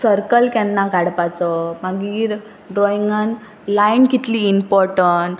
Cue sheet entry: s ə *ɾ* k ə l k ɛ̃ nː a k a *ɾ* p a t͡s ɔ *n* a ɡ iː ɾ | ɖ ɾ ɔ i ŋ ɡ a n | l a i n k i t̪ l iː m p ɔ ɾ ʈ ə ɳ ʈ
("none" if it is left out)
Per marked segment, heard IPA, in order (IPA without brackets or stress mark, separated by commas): ɾ, ɽ, m